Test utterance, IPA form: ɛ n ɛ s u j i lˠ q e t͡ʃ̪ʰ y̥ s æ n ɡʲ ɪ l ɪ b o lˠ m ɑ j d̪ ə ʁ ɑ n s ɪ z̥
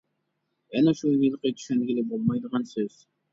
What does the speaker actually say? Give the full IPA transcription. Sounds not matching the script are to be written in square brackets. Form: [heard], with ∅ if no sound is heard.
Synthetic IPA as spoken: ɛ n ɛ [ʃ] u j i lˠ q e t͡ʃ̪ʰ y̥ [ʃ] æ n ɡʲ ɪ l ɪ b o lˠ m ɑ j d̪ ə ʁ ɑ n s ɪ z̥